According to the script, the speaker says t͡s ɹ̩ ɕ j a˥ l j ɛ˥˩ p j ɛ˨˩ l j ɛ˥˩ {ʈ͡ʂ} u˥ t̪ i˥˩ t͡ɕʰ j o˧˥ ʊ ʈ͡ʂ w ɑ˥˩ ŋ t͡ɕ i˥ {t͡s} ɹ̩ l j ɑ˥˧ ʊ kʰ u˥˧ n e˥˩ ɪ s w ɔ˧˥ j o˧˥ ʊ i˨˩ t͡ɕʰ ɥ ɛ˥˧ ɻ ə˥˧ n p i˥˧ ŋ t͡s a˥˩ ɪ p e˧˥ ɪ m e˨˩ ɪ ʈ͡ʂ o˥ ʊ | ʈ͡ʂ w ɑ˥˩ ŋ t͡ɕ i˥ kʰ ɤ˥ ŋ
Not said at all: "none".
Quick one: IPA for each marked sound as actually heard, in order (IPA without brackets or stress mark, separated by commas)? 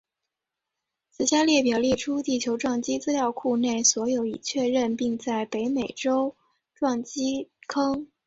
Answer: ʈ͡ʂʰ, t͡s